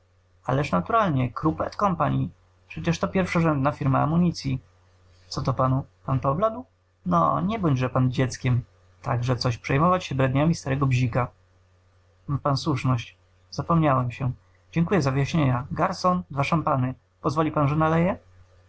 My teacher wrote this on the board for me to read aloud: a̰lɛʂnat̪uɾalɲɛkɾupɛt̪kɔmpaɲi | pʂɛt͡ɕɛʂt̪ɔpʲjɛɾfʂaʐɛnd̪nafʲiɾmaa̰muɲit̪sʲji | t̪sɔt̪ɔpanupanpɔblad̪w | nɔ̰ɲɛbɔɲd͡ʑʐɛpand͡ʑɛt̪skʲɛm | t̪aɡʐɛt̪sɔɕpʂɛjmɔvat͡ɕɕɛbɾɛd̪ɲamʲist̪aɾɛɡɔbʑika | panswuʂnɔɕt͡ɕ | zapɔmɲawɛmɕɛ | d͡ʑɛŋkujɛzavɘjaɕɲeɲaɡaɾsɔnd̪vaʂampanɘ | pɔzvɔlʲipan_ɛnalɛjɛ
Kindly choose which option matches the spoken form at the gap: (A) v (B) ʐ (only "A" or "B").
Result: B